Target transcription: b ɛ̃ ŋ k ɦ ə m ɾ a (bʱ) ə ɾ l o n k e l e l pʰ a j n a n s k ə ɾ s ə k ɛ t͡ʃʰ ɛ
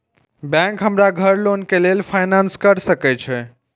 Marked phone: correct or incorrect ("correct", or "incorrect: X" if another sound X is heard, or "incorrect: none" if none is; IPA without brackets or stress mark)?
incorrect: ɡʱ